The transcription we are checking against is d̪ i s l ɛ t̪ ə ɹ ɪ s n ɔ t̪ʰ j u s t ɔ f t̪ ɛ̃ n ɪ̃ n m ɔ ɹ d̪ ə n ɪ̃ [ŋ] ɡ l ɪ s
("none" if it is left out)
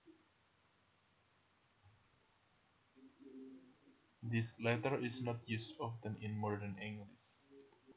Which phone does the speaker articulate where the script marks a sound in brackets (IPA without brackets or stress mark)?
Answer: ŋ